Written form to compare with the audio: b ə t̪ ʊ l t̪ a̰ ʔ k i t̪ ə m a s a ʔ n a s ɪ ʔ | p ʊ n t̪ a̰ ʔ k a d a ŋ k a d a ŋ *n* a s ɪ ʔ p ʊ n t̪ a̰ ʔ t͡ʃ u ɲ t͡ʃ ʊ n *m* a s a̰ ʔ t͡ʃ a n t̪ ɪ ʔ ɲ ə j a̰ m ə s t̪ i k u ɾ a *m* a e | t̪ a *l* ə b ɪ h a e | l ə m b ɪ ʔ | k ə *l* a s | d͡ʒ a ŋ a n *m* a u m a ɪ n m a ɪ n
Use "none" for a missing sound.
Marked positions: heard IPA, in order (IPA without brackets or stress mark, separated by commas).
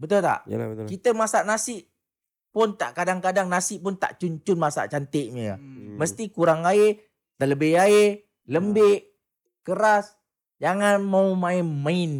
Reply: n, m, ŋ, l, ɾ, m